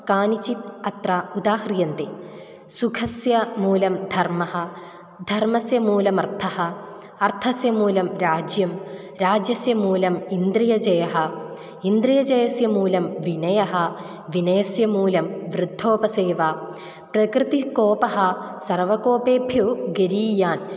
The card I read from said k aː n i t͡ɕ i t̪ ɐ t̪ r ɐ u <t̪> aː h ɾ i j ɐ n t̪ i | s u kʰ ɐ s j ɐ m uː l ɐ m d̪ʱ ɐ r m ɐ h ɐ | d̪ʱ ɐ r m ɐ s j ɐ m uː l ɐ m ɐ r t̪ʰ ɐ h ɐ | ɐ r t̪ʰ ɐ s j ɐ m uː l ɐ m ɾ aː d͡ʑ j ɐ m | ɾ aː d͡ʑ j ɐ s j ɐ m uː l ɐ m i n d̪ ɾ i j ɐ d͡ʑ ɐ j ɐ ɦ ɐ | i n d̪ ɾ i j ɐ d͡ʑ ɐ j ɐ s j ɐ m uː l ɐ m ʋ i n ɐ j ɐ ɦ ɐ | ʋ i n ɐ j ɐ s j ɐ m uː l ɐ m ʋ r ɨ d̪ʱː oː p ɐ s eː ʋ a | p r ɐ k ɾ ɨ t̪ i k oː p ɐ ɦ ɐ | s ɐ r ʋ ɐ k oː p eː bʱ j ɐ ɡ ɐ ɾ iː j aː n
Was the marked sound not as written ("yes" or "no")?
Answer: yes